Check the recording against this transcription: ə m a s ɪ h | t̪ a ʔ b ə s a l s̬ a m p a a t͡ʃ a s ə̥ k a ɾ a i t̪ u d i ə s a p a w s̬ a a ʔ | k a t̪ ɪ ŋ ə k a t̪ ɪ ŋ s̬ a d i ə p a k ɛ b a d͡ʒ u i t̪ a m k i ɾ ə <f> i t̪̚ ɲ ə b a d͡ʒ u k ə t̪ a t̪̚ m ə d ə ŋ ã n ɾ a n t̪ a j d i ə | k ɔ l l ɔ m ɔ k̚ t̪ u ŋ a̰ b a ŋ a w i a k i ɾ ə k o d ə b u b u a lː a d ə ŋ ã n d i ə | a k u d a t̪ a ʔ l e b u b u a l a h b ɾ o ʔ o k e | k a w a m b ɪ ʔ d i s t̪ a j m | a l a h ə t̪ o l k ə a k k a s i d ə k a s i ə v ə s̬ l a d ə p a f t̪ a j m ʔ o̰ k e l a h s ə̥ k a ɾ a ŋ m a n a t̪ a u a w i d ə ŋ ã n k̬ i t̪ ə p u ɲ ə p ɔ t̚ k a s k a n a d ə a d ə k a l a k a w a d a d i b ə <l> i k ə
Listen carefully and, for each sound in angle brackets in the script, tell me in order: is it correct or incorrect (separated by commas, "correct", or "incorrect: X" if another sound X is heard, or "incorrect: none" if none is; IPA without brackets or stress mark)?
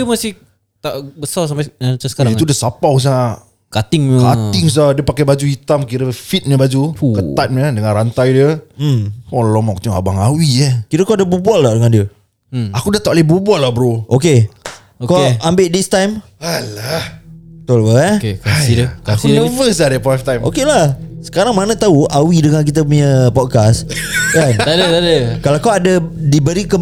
correct, incorrect: ɾ